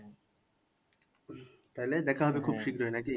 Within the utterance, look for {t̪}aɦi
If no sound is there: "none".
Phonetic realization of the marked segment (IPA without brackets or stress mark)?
t̪